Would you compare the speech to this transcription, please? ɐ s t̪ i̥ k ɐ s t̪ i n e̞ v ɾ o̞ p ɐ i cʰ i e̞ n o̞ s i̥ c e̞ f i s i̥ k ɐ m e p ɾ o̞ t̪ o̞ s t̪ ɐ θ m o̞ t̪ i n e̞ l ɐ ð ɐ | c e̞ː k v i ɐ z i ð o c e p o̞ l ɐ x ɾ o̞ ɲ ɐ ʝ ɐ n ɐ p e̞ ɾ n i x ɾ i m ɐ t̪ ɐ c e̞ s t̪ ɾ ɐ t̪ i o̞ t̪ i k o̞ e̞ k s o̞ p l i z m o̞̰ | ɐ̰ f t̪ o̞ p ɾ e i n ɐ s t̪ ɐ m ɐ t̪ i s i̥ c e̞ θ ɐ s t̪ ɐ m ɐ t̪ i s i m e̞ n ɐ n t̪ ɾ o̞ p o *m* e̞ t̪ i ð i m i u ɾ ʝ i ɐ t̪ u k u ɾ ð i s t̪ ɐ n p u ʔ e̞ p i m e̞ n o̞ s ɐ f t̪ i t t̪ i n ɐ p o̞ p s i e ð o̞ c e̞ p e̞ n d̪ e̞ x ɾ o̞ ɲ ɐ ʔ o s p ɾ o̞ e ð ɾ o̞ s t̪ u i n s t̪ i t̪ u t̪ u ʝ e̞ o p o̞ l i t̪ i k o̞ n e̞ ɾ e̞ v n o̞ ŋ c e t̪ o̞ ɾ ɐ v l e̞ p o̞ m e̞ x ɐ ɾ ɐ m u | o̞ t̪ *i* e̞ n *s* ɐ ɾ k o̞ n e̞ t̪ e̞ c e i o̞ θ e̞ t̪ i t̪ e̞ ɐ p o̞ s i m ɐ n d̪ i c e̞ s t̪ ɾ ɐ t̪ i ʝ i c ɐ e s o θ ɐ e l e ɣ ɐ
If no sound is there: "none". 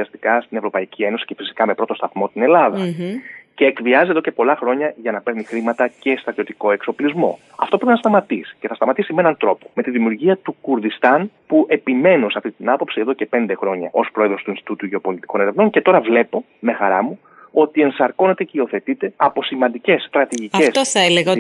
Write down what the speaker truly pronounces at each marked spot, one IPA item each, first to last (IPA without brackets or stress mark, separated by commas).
m, i, s